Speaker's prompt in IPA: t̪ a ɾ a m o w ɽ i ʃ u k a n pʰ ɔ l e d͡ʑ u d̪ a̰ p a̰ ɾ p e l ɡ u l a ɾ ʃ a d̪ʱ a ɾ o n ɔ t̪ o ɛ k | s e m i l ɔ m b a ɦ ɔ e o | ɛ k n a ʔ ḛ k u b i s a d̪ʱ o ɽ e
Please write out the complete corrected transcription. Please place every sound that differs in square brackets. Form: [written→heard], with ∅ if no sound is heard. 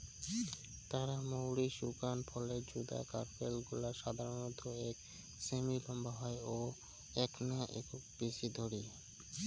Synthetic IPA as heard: t̪ a ɾ a m o w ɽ i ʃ u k a n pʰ ɔ l e d͡ʑ u d̪ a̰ [p→k] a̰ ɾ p e l ɡ u l a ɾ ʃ a d̪ʱ a ɾ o n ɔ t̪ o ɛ k | s e m i l ɔ m b a ɦ ɔ e o | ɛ k n a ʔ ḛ k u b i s [a→i] d̪ʱ o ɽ [e→i]